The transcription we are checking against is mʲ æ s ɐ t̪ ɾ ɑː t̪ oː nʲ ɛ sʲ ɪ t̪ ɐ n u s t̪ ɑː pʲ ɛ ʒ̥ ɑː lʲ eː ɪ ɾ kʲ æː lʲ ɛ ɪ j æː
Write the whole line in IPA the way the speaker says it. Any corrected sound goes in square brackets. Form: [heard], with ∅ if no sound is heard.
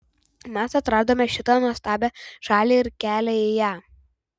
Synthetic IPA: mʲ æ s ɐ t̪ ɾ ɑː [d̪] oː [mʲ] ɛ [ʃʲ] ɪ t̪ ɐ n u s t̪ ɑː [bʲ] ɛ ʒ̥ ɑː lʲ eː ɪ ɾ kʲ æː lʲ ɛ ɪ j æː